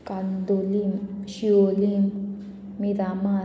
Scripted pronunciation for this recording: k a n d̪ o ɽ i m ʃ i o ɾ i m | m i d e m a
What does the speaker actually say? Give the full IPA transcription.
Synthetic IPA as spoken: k a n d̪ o l i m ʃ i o l i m | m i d a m a